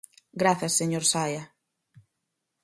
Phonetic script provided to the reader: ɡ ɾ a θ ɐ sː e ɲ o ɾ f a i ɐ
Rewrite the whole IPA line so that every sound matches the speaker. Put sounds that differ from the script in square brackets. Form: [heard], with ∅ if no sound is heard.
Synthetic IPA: ɡ ɾ a θ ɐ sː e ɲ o ɾ [s] a [j] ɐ

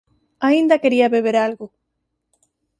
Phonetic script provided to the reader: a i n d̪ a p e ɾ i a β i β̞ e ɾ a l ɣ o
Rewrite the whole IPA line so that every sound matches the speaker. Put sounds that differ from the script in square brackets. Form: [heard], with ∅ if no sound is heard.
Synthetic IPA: a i n d̪ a [k] e ɾ i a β [e] β̞ e ɾ a l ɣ o

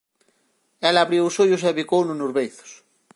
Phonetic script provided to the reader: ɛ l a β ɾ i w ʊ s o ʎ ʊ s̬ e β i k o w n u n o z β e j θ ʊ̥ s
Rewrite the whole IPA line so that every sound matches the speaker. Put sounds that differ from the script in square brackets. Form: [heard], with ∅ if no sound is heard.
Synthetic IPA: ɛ l a β ɾ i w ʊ s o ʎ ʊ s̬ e β i k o w n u n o z β e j θ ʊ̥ s

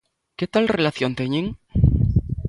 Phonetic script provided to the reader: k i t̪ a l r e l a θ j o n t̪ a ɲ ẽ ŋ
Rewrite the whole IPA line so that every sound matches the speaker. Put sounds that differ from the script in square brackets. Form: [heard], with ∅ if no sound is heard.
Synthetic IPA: k [e] t̪ a l r e l a θ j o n t̪ [e] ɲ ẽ ŋ

